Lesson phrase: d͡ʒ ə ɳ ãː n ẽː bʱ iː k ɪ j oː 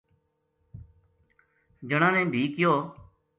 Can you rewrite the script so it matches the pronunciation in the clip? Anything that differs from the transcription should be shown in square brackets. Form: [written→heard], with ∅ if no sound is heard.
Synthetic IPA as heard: d͡ʒ ə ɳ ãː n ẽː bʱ iː k ɪ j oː